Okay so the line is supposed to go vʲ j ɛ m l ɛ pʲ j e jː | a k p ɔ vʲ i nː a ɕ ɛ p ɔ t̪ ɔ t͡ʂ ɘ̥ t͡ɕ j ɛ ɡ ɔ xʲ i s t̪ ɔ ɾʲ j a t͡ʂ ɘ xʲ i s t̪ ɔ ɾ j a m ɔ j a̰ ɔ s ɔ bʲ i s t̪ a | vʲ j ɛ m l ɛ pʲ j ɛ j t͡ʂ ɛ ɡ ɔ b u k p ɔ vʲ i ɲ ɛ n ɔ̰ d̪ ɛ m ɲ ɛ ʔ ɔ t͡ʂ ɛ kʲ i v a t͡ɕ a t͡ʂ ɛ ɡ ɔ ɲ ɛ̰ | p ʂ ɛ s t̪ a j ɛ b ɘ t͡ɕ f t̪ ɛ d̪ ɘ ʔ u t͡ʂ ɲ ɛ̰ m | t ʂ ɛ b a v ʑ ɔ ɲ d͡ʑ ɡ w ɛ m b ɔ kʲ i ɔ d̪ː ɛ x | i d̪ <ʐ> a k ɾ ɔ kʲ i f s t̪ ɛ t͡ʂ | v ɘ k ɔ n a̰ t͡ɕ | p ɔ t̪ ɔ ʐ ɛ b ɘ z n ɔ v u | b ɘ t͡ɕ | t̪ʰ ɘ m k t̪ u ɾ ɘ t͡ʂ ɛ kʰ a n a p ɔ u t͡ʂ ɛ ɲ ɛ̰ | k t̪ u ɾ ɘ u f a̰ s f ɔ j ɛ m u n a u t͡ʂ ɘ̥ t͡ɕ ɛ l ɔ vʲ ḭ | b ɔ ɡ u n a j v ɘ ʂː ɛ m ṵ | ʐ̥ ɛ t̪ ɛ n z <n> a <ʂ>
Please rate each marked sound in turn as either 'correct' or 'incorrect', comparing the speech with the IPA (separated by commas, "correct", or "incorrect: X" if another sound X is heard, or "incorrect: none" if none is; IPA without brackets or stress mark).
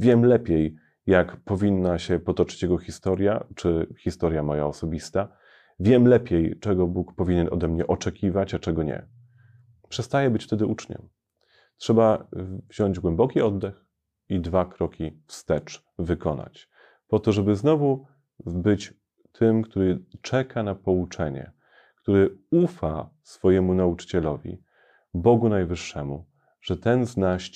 incorrect: v, correct, incorrect: ɕ